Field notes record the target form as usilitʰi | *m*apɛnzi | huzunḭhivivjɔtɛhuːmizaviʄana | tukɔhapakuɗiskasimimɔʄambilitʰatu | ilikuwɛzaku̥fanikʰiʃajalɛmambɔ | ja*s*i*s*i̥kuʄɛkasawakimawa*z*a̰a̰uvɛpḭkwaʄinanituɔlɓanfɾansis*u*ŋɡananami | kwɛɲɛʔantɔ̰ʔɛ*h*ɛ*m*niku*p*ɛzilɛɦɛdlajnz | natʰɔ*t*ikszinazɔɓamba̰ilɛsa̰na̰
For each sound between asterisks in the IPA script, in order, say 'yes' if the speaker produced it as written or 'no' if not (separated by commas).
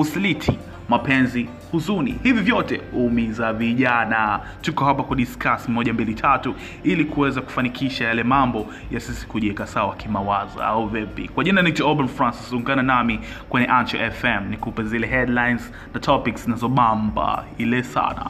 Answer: yes, yes, yes, yes, yes, no, yes, yes, no